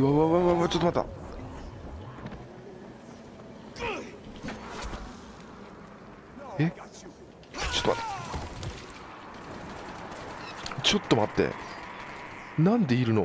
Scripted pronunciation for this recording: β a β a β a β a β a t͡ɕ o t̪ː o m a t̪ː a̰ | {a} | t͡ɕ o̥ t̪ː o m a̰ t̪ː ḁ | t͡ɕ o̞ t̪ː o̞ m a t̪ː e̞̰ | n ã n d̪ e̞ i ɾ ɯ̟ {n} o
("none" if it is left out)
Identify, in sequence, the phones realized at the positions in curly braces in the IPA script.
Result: e, n

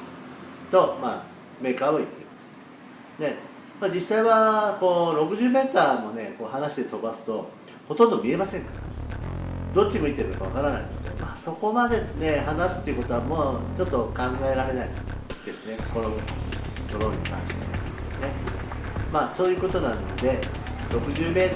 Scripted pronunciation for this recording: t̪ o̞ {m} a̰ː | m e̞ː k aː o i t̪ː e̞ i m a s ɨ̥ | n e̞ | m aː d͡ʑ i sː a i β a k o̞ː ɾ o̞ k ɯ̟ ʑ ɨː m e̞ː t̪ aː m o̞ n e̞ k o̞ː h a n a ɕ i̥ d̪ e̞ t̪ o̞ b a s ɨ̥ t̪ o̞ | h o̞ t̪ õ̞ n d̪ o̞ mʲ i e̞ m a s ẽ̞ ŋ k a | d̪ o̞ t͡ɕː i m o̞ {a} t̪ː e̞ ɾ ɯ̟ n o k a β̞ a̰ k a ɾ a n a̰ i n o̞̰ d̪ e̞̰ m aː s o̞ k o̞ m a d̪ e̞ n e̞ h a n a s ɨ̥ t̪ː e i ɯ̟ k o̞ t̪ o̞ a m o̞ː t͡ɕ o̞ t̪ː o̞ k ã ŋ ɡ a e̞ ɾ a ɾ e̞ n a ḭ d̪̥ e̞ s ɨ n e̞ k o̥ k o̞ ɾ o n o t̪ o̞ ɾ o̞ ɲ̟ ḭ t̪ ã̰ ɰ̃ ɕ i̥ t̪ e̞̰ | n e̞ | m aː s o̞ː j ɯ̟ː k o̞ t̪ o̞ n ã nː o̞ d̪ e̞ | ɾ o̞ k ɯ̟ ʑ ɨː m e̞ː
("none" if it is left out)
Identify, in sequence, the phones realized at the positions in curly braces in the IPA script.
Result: m, i

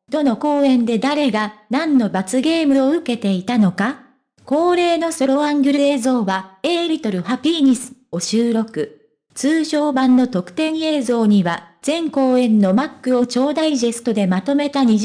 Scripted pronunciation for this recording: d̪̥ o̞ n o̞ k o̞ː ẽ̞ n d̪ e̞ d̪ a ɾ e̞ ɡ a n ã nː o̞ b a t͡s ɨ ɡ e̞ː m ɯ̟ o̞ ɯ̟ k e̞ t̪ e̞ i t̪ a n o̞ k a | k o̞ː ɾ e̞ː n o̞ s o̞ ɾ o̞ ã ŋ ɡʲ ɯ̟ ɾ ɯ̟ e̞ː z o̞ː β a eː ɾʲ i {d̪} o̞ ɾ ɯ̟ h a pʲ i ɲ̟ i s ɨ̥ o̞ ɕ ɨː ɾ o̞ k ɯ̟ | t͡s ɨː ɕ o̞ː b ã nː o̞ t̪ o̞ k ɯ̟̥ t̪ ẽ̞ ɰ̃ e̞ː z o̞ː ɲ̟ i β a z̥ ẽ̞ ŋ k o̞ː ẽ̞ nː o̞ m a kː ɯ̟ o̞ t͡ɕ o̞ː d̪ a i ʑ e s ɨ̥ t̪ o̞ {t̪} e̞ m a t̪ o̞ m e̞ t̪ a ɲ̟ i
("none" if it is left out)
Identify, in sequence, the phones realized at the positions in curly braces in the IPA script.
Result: t̪, d̪

